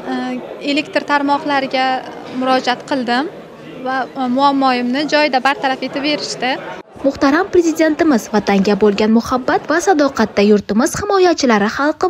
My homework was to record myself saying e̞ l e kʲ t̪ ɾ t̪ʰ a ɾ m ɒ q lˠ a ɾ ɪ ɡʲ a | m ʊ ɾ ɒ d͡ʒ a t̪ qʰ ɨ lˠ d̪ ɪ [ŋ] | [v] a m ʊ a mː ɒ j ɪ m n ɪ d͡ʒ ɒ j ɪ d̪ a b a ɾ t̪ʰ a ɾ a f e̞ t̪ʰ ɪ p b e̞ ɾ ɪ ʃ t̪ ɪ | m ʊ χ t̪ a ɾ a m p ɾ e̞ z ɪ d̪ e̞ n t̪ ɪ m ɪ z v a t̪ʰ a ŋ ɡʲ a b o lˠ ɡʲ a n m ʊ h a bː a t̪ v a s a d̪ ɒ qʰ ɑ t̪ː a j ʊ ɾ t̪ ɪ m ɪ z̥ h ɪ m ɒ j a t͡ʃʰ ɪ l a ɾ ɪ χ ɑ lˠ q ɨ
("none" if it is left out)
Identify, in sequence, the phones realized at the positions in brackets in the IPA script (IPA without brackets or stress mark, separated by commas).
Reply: m, v